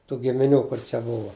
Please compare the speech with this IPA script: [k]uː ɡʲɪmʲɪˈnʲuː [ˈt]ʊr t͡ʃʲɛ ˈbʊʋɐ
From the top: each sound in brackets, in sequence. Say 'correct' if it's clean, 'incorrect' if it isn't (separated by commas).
incorrect, incorrect